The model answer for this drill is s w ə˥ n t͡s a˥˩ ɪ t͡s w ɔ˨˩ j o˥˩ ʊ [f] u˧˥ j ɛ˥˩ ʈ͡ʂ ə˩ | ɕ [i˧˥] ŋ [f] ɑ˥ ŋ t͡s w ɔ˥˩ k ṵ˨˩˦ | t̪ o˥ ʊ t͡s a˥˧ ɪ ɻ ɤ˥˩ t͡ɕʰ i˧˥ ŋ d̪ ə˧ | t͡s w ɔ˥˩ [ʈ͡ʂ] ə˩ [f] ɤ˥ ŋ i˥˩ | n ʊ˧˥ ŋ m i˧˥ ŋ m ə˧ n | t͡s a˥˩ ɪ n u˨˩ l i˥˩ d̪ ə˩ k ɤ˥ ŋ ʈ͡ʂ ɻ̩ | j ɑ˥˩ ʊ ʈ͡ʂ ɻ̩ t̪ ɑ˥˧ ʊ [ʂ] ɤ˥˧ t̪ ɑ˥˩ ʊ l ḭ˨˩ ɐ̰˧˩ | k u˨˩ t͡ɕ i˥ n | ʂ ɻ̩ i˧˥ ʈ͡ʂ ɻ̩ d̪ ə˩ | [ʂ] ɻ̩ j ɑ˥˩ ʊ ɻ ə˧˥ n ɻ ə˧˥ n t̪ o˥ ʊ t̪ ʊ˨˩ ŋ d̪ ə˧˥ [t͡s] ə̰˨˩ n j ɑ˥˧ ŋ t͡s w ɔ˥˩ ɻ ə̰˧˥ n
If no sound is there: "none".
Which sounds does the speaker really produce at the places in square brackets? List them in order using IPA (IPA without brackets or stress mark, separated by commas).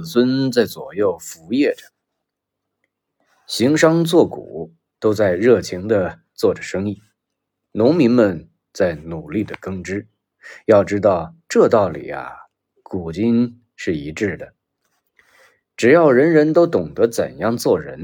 f, i˧˥, ʂ, ʈ͡ʂ, ʂ, ʈ͡ʂ, ʈ͡ʂ, t͡s